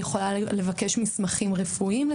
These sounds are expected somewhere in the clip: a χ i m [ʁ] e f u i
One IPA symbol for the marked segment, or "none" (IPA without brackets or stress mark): ʁ